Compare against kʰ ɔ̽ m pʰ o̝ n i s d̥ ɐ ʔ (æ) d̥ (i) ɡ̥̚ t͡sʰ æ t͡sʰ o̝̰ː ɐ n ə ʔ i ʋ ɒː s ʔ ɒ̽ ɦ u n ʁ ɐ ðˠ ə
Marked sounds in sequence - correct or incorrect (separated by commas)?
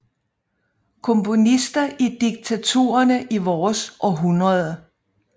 incorrect, correct